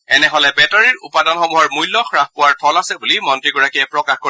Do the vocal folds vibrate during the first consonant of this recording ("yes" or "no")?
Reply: yes